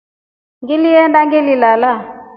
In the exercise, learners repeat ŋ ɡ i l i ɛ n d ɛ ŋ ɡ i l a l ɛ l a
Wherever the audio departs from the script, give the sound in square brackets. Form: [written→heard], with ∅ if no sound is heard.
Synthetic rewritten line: ŋ ɡ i l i ɛ n d [ɛ→a] ŋ ɡ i l [a→i] l [ɛ→a] l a